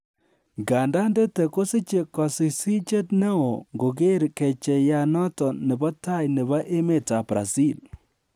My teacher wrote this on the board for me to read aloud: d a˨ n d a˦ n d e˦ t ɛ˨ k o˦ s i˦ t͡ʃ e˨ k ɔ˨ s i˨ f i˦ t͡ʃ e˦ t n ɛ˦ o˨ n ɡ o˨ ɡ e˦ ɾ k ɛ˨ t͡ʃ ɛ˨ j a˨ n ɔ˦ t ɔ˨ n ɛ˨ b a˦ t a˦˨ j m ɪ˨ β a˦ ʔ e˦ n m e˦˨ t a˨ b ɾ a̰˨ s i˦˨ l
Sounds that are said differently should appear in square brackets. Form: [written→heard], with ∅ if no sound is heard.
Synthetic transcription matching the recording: [d→ɡ] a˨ n d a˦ n d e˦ t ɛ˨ k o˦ s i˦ t͡ʃ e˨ k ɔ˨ s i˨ [f→s] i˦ t͡ʃ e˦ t n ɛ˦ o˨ [n→ŋ] ɡ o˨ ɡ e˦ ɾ k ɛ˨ t͡ʃ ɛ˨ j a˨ n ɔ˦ t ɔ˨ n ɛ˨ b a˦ t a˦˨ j [m→n] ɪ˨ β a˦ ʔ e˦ [n→∅] m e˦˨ t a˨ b ɾ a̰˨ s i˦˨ l